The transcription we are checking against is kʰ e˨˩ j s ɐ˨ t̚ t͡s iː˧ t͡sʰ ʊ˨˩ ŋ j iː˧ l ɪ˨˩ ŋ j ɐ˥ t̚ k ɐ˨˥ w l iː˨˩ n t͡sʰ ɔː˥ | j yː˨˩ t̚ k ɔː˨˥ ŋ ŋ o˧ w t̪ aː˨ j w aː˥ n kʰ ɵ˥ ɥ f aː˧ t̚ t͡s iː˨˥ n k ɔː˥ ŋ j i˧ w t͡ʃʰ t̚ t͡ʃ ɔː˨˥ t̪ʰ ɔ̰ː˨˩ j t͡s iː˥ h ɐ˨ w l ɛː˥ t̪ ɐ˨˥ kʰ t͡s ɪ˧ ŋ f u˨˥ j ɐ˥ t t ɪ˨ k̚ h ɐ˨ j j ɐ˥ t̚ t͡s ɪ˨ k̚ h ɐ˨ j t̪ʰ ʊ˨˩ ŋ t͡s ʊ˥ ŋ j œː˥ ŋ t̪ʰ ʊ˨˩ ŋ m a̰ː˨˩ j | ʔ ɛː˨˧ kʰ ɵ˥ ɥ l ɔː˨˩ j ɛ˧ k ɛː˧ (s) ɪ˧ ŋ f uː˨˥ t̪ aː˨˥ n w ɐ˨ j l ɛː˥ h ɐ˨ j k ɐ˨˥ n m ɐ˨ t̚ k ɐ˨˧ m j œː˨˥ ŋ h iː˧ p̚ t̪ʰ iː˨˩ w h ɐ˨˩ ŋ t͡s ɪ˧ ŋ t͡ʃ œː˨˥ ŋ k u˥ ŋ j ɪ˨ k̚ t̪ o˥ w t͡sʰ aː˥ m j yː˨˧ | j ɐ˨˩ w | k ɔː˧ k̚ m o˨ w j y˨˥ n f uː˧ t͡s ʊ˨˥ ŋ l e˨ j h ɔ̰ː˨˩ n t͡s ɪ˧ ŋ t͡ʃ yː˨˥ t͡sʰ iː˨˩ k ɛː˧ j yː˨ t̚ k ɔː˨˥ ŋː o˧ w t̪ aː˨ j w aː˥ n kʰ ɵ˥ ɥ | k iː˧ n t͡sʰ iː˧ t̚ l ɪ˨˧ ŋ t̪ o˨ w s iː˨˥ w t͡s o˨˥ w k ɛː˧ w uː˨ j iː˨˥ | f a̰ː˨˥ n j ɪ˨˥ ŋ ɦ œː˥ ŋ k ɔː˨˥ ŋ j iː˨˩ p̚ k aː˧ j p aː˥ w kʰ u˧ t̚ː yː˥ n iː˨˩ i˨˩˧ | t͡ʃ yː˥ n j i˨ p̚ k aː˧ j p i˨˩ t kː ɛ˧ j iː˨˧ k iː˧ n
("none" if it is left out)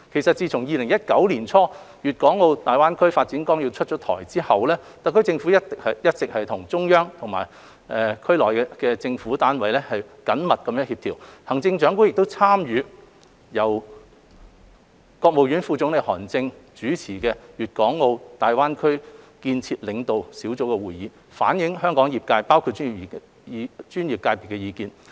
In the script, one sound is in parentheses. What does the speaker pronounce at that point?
t͡s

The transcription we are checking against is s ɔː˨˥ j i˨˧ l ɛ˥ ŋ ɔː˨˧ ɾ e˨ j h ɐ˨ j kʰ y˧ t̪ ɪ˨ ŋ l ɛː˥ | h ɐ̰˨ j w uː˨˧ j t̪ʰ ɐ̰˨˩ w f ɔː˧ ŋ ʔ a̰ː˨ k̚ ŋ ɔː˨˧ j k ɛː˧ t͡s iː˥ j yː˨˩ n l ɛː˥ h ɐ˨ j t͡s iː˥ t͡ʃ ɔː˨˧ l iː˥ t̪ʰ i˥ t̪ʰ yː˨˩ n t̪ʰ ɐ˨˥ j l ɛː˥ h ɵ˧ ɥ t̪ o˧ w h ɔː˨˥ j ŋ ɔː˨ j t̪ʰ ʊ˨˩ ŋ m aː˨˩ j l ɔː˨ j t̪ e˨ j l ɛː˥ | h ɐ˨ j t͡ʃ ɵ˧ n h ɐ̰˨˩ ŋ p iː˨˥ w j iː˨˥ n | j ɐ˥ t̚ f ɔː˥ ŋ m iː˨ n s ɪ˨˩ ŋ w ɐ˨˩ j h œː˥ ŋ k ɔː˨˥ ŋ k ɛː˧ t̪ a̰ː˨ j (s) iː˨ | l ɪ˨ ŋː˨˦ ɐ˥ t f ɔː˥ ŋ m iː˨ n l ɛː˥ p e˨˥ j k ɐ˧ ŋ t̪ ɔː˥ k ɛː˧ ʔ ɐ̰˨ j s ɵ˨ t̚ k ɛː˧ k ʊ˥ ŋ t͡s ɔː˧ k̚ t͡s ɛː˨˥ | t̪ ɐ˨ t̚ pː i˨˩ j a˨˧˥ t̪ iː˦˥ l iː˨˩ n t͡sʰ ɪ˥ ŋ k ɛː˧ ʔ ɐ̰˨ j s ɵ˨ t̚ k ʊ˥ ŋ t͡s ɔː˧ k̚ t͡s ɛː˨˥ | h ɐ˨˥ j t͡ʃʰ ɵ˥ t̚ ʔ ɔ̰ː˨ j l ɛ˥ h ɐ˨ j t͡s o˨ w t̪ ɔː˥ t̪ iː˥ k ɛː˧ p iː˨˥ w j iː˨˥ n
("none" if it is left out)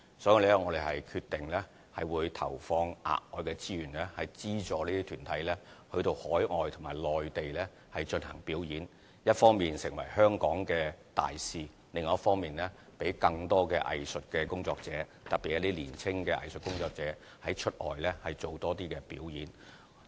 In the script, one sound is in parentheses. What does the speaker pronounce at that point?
s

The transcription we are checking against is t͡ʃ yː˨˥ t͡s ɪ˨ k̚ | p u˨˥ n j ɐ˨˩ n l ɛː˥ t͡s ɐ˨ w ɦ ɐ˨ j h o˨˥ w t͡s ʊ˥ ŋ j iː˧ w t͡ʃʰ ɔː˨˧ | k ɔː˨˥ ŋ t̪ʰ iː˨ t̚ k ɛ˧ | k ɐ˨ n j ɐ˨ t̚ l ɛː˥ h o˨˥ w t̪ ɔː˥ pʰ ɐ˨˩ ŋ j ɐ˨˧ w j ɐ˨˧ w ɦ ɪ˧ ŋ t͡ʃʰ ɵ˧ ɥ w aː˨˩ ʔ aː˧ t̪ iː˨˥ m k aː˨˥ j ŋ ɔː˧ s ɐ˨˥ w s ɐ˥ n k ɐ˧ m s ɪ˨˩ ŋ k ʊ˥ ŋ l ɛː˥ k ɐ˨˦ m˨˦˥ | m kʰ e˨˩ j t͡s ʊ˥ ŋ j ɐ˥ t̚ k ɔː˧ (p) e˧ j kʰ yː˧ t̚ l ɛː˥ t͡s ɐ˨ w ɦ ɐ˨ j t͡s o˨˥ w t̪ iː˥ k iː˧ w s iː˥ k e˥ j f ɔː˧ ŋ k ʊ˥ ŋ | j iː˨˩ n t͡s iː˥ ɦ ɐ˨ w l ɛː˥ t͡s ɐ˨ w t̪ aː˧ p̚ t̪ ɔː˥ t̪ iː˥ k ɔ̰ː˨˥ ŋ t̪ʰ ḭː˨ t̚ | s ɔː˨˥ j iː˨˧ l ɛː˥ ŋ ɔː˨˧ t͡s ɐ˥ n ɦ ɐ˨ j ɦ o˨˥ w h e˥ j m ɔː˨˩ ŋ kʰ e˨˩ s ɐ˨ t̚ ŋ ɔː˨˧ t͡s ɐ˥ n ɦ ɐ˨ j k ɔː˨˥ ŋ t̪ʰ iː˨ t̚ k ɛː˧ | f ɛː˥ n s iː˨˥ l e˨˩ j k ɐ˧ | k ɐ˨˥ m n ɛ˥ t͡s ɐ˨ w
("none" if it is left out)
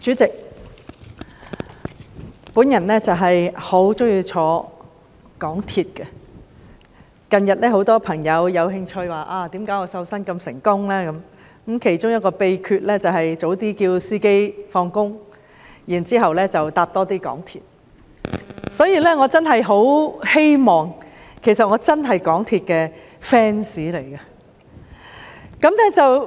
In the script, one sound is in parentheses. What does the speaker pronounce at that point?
p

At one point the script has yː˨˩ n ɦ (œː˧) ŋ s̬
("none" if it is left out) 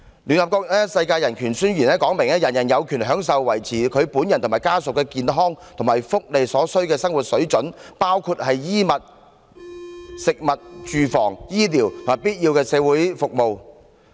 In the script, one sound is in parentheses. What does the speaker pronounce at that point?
œː˨˥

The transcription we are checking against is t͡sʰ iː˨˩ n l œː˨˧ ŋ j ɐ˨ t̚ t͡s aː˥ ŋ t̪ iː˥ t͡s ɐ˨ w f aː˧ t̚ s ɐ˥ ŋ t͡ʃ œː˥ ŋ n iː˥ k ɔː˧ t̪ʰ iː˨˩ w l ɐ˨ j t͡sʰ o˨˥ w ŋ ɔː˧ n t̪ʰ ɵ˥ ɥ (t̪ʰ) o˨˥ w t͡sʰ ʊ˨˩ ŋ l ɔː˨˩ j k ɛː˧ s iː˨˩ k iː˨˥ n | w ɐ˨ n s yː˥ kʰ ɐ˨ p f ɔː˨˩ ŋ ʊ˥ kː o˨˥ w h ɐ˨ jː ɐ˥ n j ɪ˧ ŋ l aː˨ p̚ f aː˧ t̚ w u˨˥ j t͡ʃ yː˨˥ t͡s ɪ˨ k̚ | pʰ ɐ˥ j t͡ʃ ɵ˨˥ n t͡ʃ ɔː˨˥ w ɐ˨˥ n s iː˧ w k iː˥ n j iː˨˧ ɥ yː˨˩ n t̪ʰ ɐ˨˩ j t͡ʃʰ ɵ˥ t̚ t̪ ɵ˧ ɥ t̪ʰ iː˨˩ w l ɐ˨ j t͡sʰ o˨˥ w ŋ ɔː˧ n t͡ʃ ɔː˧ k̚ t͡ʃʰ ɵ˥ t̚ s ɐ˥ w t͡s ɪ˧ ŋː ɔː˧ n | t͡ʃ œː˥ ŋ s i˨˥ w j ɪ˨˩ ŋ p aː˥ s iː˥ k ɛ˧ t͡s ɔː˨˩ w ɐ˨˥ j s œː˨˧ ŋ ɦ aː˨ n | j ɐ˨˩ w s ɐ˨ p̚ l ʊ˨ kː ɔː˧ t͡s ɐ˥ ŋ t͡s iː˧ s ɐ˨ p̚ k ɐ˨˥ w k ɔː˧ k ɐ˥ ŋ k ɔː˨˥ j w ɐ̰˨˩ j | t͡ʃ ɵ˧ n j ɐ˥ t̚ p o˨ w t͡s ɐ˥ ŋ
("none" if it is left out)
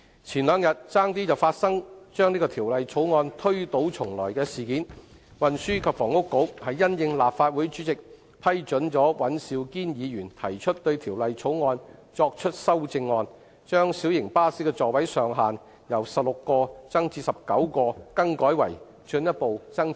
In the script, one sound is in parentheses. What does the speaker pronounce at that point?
t̪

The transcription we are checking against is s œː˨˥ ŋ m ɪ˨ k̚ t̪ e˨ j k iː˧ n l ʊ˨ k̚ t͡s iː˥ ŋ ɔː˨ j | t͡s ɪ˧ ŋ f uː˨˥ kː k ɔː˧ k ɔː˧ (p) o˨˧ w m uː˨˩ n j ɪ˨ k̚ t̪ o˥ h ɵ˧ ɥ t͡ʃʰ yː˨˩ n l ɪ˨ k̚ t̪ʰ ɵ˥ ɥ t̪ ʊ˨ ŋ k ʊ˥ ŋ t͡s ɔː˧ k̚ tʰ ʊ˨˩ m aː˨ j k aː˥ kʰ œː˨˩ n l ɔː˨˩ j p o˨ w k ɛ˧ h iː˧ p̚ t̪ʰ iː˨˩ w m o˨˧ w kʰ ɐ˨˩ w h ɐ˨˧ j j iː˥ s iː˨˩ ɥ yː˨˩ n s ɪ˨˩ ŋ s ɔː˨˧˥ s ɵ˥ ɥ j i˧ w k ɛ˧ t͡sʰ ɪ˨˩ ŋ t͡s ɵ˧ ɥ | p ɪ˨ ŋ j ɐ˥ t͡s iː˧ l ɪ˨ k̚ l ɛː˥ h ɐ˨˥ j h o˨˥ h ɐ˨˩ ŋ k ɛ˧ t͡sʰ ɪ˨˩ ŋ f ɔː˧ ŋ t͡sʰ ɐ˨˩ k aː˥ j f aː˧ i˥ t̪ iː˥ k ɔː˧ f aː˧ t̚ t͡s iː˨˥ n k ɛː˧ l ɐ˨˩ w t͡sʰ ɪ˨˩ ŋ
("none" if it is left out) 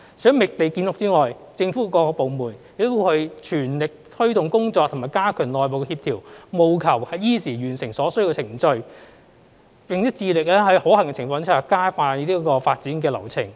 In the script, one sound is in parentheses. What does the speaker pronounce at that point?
p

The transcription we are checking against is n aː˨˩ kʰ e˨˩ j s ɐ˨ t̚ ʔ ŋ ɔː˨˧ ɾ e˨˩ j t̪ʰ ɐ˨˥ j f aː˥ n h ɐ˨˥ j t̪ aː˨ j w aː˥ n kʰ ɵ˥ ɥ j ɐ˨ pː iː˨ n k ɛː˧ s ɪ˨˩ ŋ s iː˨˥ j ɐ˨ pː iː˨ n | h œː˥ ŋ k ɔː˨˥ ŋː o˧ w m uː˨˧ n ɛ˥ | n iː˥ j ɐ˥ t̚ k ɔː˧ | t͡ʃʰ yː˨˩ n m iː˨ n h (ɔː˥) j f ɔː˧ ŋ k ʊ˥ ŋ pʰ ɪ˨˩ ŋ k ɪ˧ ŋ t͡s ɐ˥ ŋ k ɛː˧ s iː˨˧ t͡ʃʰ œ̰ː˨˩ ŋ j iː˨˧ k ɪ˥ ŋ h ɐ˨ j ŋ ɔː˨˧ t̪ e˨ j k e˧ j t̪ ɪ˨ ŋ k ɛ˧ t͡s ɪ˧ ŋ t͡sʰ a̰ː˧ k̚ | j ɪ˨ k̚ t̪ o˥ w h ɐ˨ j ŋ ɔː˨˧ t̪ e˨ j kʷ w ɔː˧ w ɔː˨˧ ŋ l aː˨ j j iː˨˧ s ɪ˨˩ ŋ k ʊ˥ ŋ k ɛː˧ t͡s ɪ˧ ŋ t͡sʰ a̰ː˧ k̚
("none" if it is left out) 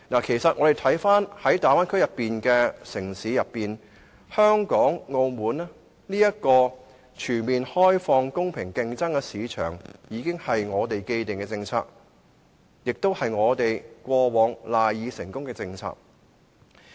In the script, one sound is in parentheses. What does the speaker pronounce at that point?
ɔː˥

